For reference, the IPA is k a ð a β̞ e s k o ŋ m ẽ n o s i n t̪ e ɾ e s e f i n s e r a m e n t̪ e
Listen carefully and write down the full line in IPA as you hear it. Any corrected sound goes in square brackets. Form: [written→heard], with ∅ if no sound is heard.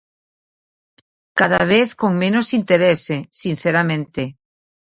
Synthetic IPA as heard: k a ð a β̞ e [s→θ] k o ŋ m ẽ n o s i n t̪ e ɾ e s e [f→s] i n [s→θ] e [r→ɾ] a m [e→ẽ] n t̪ e